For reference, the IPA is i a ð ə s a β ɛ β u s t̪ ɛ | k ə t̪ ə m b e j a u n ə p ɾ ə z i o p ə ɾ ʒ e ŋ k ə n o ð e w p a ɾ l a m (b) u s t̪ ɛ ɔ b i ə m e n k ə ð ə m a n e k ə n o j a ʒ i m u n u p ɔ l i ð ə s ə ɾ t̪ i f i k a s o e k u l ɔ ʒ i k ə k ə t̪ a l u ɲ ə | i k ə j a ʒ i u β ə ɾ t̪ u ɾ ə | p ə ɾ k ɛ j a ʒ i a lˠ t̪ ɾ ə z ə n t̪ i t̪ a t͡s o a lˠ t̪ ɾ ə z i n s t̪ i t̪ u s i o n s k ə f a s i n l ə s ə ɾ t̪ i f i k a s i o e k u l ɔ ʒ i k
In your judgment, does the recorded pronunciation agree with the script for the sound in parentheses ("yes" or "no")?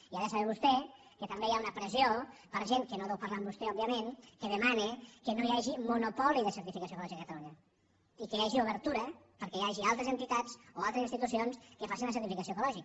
yes